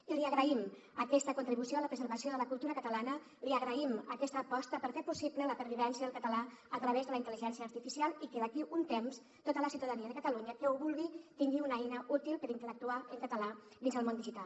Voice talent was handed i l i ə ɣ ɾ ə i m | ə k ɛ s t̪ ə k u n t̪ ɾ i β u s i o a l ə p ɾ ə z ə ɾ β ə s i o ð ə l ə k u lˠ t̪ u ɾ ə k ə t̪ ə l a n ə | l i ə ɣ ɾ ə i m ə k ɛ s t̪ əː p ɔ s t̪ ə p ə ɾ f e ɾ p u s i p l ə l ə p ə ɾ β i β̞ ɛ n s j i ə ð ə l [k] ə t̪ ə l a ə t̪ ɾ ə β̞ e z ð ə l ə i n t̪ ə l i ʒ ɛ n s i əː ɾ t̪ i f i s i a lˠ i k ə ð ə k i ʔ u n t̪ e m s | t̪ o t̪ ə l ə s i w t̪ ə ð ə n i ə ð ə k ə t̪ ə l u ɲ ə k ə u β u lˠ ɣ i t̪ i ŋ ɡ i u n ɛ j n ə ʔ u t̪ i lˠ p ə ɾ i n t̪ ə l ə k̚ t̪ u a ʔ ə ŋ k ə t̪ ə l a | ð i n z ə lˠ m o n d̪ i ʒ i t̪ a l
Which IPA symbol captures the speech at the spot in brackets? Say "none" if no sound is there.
k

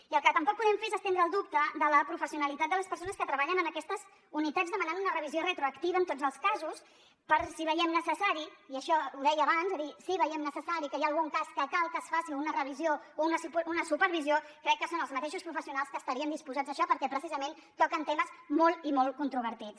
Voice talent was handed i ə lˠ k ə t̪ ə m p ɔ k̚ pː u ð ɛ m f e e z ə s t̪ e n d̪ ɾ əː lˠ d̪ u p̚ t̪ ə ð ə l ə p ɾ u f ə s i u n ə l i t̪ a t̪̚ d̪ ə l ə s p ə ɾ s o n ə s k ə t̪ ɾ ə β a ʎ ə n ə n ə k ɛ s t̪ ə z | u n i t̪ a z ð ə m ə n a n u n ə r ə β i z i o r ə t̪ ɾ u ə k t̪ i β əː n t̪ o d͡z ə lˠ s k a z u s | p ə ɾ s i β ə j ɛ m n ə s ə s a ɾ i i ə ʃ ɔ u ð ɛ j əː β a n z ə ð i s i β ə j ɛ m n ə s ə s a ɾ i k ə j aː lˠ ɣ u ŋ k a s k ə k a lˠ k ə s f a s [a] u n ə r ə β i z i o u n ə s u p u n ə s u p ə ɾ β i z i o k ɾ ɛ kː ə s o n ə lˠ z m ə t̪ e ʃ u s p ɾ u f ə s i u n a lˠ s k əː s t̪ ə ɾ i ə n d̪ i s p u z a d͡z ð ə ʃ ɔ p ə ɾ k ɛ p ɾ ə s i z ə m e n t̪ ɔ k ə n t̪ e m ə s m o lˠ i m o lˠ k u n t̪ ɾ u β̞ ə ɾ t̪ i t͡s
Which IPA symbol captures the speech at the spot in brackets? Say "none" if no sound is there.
i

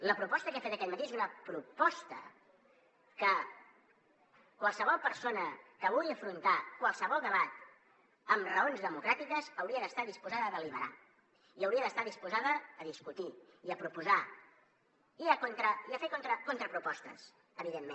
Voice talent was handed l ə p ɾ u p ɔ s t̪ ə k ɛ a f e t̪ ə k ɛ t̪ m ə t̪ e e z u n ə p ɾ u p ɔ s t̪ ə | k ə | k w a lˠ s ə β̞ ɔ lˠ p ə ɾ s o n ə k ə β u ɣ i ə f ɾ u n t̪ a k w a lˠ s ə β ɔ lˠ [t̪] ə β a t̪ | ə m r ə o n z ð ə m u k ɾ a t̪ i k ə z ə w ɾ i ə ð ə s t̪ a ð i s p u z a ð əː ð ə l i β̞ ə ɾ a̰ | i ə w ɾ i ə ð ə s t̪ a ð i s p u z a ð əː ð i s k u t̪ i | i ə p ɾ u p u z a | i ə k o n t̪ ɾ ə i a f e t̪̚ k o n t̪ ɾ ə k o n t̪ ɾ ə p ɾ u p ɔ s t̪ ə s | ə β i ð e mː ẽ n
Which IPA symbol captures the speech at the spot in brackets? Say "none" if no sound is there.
d̪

